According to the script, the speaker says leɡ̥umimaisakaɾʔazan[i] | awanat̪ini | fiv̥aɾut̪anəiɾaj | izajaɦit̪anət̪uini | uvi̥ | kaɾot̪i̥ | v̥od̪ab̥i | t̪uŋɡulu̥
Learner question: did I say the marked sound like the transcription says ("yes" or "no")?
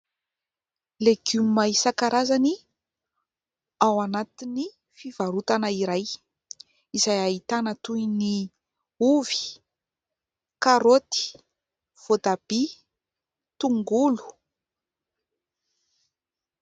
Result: yes